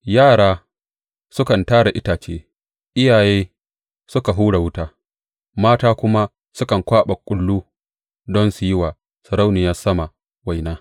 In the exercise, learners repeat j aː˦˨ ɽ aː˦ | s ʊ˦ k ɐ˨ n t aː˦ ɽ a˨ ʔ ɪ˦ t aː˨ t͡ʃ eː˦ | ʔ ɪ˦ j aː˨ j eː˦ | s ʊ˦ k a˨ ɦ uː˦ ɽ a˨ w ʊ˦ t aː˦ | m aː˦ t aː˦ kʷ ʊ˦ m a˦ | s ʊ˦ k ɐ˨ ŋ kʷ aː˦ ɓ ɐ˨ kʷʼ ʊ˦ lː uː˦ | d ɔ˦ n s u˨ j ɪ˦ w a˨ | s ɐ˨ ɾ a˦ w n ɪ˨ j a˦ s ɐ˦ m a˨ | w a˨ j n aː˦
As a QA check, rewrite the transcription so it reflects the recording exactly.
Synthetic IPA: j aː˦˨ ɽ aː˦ | s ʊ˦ k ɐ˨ n t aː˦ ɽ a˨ ʔ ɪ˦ t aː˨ t͡ʃ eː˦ | ʔ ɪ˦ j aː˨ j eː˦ | s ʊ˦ k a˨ ɦ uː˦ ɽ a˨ w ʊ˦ t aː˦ | m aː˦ t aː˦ kʷ ʊ˦ m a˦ | s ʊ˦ k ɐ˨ ŋ kʷ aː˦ ɓ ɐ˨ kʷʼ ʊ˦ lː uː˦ | d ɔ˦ n s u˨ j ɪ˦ w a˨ | s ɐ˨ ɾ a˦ w n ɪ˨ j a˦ s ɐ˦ m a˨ | w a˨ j n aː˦